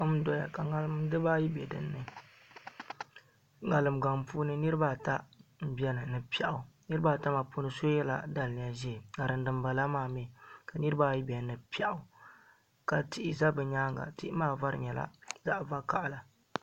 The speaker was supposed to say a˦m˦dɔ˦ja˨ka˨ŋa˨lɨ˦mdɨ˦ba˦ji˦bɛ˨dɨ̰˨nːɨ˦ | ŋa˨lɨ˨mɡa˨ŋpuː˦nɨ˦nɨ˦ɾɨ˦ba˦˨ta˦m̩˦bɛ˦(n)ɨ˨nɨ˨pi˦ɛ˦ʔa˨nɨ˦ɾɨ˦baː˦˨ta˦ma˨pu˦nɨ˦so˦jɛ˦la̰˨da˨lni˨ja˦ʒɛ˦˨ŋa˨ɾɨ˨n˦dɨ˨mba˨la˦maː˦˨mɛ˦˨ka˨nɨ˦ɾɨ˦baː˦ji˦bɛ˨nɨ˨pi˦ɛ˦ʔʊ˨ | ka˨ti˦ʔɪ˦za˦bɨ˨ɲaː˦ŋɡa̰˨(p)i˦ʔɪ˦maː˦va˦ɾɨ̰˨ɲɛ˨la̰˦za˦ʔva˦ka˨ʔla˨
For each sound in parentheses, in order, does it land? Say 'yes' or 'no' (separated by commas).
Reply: yes, no